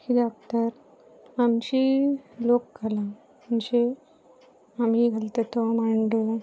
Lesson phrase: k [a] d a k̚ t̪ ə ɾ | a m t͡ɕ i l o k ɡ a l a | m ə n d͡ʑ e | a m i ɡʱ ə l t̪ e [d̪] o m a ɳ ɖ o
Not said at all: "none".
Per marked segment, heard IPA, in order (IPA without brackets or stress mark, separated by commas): i, t̪